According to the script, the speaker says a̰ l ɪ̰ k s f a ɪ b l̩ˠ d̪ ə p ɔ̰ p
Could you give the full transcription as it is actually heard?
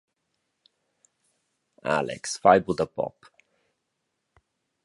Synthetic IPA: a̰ l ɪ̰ k s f a ɪ b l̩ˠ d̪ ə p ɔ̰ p